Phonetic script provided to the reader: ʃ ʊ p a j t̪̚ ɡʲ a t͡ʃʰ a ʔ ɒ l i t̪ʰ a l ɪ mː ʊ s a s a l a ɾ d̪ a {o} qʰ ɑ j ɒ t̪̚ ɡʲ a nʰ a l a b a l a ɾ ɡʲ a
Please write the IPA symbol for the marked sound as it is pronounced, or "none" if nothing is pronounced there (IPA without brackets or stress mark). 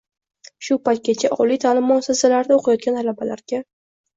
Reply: o